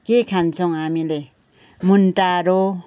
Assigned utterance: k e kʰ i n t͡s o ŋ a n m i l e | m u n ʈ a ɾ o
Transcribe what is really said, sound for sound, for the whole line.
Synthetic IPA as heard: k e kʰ a n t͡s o ŋ a m i l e | m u n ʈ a ɾ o

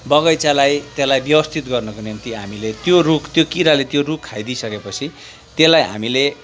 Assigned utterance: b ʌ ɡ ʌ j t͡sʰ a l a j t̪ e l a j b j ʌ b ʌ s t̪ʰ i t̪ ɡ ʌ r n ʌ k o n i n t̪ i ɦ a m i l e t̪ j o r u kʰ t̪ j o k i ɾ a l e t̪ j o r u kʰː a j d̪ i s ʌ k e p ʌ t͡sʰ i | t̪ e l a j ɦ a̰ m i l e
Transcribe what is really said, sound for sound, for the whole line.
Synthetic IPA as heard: b ʌ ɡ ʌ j t͡s a l a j t̪ e l a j b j ʌ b ʌ s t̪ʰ i t̪ ɡ ʌ r n ʌ k o n i n t̪ i ɦ a m i l e t̪ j o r u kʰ t̪ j o k i ɾ a l e t̪ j o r u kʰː a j d̪ i s ʌ k e p ʌ t͡sʰ i | t̪ e l a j ɦ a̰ m i l e

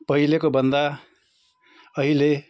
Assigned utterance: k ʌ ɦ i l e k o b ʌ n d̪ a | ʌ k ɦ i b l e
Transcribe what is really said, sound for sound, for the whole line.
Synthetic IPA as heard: p ʌ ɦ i l e k o b ʌ n d̪ a | ʌ ɦ i l e

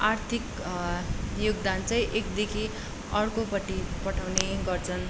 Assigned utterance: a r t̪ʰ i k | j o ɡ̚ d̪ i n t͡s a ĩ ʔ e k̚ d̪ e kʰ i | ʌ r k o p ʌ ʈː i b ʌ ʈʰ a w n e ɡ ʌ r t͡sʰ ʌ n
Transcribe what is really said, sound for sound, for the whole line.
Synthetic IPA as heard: a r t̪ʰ i k | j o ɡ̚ d̪ a n t͡s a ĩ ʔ e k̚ d̪ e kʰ i | ʌ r k o p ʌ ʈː i p ʌ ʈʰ a w n e ɡ ʌ r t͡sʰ ʌ n

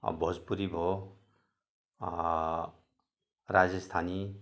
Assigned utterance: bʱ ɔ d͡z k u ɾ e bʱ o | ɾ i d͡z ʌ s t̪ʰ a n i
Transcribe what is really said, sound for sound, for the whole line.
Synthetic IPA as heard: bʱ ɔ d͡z p u ɾ i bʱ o | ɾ a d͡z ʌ s t̪ʰ a n i

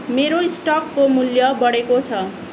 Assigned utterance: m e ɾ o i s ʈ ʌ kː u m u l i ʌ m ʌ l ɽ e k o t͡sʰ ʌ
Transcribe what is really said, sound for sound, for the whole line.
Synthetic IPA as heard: m e ɾ o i s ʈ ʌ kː o m u l j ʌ b ʌ ɽ e k o t͡sʰ ʌ

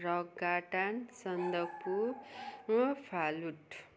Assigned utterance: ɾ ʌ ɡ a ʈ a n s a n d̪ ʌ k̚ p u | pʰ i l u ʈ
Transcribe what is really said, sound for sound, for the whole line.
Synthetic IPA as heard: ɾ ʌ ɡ a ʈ a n s ʌ n d̪ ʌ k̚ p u | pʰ a l u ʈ

